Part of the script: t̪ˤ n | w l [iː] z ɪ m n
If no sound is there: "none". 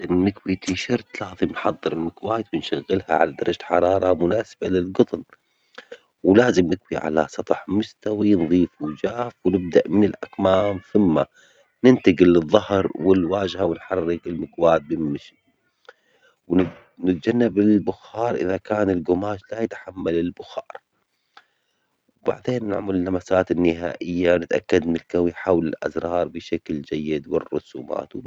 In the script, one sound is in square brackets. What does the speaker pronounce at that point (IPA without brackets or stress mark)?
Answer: aː